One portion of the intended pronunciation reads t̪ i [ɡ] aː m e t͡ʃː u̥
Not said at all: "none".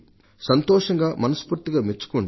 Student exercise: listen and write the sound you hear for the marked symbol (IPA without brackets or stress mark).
ɡ